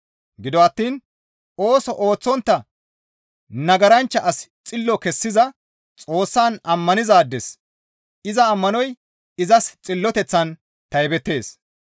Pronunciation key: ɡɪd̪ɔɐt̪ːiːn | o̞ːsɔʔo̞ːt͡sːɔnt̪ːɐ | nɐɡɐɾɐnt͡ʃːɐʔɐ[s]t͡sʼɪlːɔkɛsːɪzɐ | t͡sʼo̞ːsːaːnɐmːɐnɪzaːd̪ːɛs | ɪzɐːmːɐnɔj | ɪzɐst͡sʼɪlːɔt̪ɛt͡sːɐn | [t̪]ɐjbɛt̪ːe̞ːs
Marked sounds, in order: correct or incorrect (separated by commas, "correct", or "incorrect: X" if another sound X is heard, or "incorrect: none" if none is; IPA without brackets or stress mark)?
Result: correct, correct